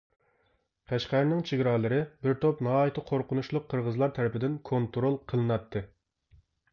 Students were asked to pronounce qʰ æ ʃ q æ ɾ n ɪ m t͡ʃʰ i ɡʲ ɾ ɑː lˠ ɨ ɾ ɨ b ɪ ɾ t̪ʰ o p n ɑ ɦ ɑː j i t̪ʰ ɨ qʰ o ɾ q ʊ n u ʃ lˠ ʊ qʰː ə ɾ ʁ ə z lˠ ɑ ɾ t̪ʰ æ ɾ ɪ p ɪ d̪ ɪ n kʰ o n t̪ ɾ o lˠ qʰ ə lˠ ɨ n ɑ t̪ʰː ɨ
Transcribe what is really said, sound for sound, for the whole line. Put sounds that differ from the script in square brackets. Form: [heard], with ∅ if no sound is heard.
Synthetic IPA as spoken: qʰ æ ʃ q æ ɾ n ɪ [ŋ] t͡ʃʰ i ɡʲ ɾ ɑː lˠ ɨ ɾ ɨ b ɪ ɾ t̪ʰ o p n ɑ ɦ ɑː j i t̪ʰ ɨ qʰ o ɾ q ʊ n u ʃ lˠ ʊ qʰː ə ɾ ʁ ə z lˠ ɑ ɾ t̪ʰ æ ɾ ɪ p ɪ d̪ ɪ n kʰ o n t̪ ɾ o lˠ qʰ ə lˠ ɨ n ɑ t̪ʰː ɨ